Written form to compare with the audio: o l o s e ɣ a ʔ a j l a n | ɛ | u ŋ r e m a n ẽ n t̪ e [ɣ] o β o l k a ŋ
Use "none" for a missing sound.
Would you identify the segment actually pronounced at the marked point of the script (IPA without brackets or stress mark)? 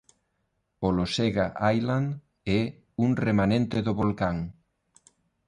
ð